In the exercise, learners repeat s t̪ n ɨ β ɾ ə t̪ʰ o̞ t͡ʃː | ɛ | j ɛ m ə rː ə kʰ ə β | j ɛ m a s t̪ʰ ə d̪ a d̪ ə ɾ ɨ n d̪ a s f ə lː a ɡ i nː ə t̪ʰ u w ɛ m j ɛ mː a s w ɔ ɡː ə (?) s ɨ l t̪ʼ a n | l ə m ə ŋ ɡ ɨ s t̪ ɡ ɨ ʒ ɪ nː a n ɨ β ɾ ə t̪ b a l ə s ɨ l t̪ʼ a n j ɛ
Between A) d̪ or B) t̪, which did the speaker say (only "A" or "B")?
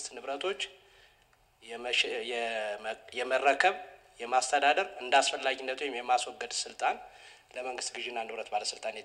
A